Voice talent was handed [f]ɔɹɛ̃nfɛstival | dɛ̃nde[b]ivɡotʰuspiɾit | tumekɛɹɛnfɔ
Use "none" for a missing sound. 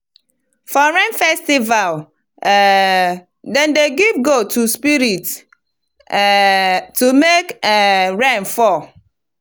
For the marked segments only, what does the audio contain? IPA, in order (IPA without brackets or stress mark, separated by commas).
f, ɡ